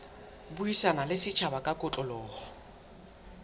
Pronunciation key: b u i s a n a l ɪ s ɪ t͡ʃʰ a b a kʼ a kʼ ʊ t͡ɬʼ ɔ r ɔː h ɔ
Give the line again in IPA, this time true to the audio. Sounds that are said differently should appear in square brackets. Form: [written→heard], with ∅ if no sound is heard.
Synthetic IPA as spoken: b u i s a n a l ɪ s ɪ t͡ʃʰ a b a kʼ a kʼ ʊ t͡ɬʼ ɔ [r→l] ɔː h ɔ

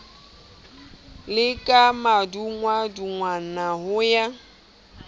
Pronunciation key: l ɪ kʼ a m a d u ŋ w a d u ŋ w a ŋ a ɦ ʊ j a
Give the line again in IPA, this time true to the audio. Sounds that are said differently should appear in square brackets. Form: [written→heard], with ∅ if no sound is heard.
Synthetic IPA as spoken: l ɪ kʼ a m a d u ŋ w a d u ŋ w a [ŋ→n] a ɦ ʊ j a

